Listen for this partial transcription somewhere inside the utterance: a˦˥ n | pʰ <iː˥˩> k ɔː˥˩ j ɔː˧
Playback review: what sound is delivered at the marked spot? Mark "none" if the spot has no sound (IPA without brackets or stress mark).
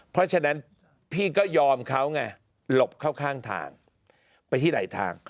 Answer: iː˥˩